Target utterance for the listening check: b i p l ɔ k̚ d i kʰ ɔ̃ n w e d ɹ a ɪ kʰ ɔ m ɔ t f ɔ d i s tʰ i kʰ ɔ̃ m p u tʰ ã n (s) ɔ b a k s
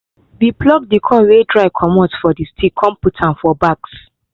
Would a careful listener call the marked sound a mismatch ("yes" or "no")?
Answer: yes